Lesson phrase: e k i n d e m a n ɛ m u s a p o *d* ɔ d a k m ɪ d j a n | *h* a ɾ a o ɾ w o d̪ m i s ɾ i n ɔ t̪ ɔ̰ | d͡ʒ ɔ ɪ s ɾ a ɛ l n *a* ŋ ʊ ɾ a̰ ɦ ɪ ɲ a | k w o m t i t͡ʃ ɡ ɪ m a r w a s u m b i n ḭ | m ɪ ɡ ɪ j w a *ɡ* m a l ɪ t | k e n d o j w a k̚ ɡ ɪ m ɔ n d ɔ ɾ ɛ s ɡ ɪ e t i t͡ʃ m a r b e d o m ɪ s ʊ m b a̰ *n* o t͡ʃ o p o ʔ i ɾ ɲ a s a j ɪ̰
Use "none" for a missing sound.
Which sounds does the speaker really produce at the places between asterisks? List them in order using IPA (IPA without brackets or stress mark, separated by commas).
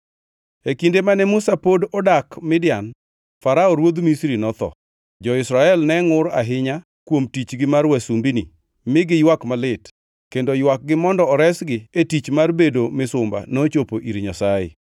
d, f, ɛ, k, n